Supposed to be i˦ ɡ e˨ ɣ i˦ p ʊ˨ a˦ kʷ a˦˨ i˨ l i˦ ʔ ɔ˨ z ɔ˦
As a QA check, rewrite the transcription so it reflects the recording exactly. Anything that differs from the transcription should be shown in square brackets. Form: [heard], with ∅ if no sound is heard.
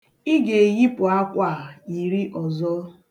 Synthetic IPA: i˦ ɡ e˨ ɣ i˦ p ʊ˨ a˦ kʷ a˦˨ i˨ [ɾ] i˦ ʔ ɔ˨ z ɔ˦